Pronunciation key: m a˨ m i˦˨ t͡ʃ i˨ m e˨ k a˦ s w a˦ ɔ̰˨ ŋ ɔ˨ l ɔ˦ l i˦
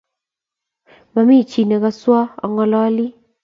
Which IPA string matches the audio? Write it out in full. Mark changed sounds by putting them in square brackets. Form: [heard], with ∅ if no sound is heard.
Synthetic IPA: m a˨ m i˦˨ t͡ʃ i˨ [n] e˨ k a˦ s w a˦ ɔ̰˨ ŋ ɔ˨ l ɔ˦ l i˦